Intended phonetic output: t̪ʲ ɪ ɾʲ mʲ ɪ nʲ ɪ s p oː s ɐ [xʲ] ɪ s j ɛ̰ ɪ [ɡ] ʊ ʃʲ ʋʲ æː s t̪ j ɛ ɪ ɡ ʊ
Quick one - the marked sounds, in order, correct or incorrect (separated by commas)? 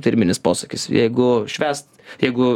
incorrect, correct